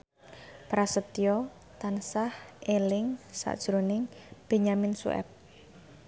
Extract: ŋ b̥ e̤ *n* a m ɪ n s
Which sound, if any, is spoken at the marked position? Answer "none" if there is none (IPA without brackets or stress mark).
ɲ